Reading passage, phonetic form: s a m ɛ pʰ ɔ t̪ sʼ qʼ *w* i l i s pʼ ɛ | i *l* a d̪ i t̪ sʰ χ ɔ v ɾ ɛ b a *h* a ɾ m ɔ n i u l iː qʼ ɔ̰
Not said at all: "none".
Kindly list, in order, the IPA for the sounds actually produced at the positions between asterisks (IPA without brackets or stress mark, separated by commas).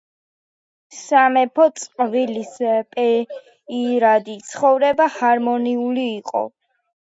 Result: v, ɾ, h